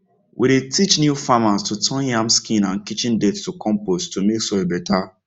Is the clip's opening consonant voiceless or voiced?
voiced